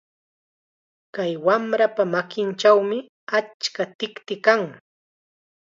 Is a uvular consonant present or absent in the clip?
absent